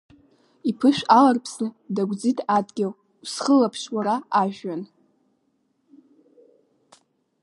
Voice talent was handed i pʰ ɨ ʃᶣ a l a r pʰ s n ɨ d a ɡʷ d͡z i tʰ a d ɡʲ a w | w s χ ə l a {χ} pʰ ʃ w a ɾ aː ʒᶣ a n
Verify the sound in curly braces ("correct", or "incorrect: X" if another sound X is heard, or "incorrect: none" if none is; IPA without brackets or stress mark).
incorrect: none